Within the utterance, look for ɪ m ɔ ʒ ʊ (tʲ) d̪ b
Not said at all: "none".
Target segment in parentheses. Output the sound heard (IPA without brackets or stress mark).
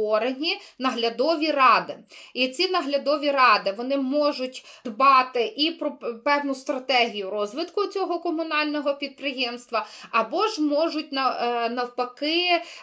tʲ